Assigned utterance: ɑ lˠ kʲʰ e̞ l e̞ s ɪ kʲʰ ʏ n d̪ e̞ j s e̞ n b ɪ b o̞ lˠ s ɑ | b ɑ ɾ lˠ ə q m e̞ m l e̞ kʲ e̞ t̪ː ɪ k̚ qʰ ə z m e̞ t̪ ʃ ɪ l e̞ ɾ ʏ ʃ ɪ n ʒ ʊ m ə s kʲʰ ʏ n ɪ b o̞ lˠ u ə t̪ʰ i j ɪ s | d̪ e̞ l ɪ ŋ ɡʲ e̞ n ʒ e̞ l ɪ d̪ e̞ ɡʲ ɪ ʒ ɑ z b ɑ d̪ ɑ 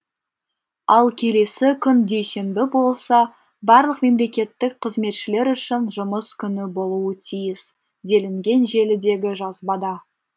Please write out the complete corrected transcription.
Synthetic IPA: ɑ lˠ kʲʰ e̞ l e̞ s ɪ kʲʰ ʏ n d̪ e̞ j s e̞ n b ɪ b o̞ lˠ s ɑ | b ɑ ɾ lˠ ə q m e̞ m l e̞ kʲ e̞ t̪ː ɪ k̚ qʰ ə z m e̞ t̪ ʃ ɪ l e̞ ɾ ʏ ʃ ɪ n ʒ ʊ m ə s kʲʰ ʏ n ɪ b o̞ lˠ u ə t̪ʰ i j ɪ s | d̪ e̞ l ɪ ŋ ɡʲ e̞ n ʒ e̞ l ɪ d̪ e̞ ɡʲ ɪ ʒ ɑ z b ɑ d̪ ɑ